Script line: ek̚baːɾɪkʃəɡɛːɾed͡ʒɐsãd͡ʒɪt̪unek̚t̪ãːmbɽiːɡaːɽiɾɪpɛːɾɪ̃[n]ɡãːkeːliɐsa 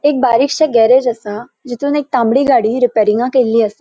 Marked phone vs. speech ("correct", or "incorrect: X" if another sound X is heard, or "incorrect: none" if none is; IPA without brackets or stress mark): incorrect: ŋ